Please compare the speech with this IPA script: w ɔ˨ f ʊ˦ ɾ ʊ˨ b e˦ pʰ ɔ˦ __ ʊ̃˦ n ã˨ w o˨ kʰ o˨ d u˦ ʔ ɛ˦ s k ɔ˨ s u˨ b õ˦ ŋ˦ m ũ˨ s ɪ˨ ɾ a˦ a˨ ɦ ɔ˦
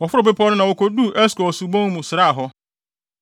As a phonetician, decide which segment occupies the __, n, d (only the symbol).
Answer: n